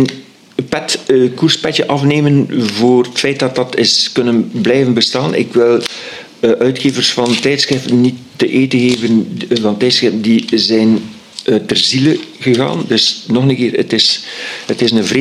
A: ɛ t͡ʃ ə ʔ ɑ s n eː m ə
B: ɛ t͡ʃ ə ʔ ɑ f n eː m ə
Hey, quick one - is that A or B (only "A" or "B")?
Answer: B